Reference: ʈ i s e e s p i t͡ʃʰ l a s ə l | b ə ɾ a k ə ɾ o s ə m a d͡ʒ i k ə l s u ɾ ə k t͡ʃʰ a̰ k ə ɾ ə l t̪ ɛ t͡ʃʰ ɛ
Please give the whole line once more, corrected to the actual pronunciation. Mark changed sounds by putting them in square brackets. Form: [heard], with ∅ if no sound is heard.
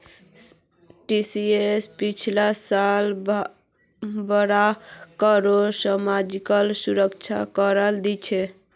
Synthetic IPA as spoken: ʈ i s [i] e s p i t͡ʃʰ l a s [a] l | b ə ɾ a k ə ɾ o s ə m a d͡ʒ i k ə l s u ɾ ə k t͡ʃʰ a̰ k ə ɾ ə l [d̪] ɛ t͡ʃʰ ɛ

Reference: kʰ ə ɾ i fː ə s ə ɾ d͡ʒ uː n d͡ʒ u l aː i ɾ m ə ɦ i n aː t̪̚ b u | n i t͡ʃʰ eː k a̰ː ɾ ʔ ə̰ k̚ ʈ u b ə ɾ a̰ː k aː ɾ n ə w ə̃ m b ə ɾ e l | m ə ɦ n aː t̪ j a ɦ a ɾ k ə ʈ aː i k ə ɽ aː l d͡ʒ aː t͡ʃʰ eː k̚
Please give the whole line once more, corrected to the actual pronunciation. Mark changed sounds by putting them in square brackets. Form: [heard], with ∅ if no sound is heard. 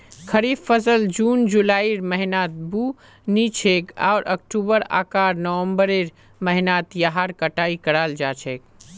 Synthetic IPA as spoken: kʰ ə ɾ i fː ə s ə [l] d͡ʒ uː n d͡ʒ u l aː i ɾ m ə ɦ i n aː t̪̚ b u | n i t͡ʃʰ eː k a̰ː ɾ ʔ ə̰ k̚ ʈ u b ə ɾ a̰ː k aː ɾ n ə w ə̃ m b ə ɾ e [ɾ] | m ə ɦ n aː t̪ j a ɦ a ɾ k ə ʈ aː i k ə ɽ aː l d͡ʒ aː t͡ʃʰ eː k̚

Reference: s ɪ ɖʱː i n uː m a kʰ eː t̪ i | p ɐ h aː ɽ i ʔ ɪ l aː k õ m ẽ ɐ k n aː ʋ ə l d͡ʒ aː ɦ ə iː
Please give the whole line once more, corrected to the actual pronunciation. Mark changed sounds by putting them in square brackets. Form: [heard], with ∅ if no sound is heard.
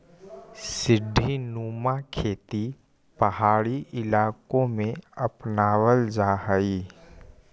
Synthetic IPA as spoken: s ɪ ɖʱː i n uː m a kʰ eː t̪ i | p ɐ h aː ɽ i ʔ ɪ l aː k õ m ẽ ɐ [p] n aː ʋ ə l d͡ʒ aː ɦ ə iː

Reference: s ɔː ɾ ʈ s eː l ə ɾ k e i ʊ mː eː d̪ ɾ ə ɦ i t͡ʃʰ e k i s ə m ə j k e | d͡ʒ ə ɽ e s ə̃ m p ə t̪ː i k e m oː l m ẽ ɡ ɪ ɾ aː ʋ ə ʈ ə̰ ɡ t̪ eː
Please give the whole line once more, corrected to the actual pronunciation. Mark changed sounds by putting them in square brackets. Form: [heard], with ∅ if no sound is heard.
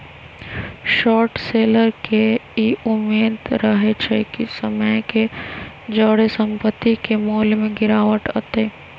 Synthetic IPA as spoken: [ʃ] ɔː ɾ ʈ s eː l ə ɾ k e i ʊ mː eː d̪ ɾ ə ɦ [e] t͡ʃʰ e k i s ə m ə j k e | d͡ʒ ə ɽ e s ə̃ m p ə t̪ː i k e m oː l m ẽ ɡ ɪ ɾ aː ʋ ə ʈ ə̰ [∅] t̪ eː

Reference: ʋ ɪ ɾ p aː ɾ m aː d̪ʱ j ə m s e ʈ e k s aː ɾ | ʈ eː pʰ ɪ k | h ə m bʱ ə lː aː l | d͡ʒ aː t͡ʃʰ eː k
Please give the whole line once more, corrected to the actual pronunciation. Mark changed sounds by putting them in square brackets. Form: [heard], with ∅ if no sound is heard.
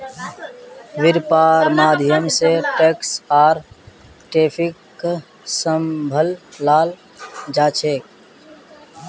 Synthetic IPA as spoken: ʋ ɪ ɾ p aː ɾ m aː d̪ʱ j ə m s e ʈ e k s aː ɾ | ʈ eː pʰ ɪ k | [s] ə m bʱ ə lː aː l | d͡ʒ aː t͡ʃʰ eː k

